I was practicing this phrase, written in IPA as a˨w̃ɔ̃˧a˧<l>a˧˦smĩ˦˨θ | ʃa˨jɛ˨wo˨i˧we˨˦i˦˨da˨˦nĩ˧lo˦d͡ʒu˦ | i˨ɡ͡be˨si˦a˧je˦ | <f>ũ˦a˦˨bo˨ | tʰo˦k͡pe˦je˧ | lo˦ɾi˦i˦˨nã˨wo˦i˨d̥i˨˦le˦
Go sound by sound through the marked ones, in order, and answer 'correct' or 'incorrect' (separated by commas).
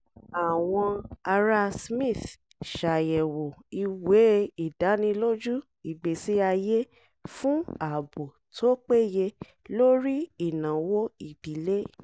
incorrect, correct